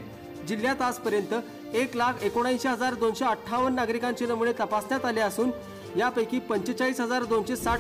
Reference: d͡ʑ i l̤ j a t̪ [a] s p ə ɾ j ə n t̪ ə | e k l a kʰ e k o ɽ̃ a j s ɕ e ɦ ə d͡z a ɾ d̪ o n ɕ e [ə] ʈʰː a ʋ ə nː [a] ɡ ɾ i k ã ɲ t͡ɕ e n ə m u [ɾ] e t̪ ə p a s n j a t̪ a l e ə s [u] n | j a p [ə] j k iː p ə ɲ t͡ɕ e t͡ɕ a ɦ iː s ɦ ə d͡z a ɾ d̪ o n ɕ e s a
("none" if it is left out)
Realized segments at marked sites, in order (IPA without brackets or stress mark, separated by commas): a, ə, a, ɭ, uː, ə